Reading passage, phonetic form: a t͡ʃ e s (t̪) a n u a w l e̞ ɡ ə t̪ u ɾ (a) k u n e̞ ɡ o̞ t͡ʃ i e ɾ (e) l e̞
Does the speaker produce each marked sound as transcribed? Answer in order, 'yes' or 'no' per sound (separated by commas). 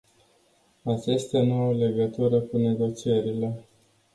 yes, no, no